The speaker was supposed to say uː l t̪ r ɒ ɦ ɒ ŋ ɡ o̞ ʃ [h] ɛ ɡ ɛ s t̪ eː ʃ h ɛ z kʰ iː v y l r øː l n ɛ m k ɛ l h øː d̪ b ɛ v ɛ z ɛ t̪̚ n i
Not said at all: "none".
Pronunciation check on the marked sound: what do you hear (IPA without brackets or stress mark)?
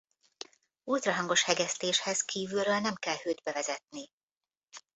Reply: h